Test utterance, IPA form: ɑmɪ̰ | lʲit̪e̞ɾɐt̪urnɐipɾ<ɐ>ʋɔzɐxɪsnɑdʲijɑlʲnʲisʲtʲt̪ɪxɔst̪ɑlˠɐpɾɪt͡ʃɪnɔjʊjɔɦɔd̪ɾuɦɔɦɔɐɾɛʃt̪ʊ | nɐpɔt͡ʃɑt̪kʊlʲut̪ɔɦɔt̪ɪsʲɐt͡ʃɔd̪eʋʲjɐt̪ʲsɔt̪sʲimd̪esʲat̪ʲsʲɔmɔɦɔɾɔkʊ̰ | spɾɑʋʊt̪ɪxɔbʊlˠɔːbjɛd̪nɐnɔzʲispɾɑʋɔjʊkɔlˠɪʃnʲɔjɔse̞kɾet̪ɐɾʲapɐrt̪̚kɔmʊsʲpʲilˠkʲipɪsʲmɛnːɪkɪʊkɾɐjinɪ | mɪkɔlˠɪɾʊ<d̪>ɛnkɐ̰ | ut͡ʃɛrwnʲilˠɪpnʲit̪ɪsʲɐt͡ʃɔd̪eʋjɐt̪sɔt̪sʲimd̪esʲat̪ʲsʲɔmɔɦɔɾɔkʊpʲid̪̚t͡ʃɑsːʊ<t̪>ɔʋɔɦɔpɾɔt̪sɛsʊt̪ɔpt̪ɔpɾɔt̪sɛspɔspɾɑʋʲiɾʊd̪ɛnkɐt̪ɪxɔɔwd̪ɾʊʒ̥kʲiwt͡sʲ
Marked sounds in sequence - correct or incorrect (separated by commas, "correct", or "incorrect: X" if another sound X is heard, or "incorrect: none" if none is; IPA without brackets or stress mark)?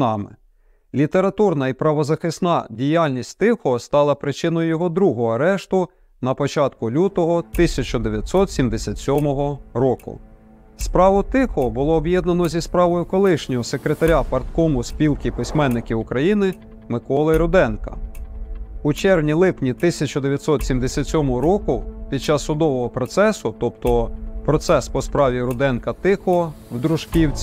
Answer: correct, correct, incorrect: d̪